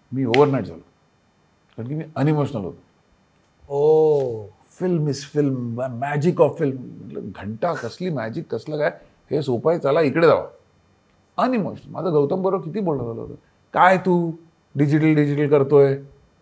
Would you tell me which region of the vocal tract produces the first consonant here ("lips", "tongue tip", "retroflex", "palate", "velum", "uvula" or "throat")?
lips